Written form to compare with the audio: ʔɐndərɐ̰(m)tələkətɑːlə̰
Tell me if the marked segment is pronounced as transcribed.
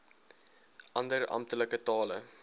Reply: yes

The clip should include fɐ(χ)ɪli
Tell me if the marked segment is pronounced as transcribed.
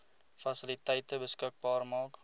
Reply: no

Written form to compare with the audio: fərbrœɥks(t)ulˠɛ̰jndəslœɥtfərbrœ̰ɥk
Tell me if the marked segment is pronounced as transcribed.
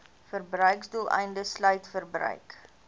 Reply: no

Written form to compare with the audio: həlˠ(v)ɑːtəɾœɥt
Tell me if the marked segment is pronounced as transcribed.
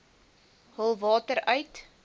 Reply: yes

